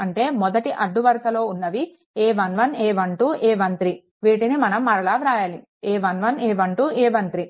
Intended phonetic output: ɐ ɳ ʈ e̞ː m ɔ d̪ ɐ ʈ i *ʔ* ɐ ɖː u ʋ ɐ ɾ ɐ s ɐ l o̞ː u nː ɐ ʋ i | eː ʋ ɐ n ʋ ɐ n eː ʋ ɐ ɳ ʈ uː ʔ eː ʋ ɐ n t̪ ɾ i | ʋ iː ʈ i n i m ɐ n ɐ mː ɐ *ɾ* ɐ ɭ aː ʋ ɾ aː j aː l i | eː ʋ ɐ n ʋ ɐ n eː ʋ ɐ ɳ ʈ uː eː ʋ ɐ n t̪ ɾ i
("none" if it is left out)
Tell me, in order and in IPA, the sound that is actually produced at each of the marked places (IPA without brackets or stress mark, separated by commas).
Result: ʔ, ɾ